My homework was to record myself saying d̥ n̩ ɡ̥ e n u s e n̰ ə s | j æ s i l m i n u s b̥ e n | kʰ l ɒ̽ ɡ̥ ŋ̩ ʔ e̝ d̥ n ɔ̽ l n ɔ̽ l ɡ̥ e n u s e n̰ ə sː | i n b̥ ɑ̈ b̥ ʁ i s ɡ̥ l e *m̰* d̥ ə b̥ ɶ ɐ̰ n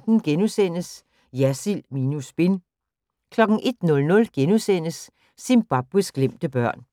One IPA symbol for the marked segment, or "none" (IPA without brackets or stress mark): m̰